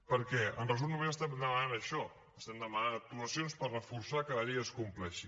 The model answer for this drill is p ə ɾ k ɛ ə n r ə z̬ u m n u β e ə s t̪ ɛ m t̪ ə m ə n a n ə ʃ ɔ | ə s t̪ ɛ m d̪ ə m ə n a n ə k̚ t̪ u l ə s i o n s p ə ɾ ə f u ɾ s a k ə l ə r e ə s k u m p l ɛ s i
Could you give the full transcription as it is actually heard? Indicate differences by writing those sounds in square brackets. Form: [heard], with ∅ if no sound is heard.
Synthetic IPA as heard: p ə ɾ k ɛ ə n r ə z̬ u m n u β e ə s t̪ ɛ m [d̪] ə m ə n a n ə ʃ ɔ | ə s t̪ ɛ m d̪ ə m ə n a n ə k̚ t̪ u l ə s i o n s p ə [r] ə f u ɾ s a k ə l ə [ʎ] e ə s k u m p l ɛ [ʃ] i

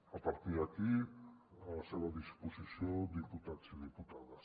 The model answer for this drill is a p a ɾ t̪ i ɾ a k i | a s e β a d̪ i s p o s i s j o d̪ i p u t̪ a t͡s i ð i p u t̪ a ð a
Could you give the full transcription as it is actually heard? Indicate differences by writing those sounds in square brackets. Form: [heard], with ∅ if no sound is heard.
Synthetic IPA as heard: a p a ɾ t̪ i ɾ a k i | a s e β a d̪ i s p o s i s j o d̪ i p u t̪ a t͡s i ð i p u t̪ a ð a

